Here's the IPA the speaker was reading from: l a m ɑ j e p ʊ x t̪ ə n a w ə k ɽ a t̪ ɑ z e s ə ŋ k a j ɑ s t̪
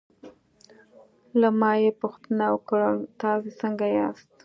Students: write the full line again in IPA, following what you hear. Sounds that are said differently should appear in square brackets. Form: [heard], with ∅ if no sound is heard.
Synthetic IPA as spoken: l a m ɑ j e p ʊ x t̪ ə n a w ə k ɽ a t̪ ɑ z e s ə ŋ [ɡ] a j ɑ s t̪